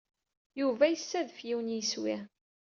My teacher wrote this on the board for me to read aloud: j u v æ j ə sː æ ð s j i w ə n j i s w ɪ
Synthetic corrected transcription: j u v æ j ə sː æ ð f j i w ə n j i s w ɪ